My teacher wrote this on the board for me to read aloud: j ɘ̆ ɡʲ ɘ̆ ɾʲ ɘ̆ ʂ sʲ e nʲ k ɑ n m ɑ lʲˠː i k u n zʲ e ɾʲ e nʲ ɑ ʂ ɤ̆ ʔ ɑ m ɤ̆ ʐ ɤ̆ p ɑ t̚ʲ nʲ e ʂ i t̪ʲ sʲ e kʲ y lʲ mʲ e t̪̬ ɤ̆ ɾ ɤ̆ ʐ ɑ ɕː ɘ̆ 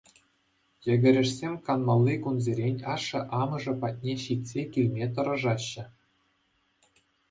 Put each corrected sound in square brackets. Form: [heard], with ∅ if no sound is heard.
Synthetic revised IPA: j ɘ̆ ɡʲ ɘ̆ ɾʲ ɘ̆ ʂ sʲ e [mʲ] k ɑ n m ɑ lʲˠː i k u n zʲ e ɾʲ e nʲ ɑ ʂ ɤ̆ ʔ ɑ m ɤ̆ ʐ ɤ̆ p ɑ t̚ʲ nʲ e [ɕ] i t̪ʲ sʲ e kʲ [i] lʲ mʲ e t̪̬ ɤ̆ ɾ ɤ̆ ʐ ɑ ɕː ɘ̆